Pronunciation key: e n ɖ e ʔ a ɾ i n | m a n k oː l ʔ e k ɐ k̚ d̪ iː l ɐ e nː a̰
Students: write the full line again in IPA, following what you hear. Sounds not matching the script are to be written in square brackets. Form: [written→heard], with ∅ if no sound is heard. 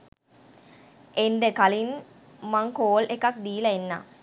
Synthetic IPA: e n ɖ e [ʔ→k] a [ɾ→l] i n | m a [n→ŋ] k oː l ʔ e k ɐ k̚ d̪ iː l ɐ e nː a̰